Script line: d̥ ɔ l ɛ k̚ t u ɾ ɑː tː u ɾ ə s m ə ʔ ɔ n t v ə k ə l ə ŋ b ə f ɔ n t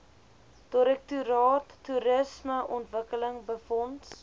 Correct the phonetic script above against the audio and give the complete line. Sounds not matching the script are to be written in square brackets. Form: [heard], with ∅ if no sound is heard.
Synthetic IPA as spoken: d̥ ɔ [ɾ] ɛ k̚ t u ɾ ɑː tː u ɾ ə s m ə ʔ ɔ n t v ə k ə l ə ŋ b ə f ɔ n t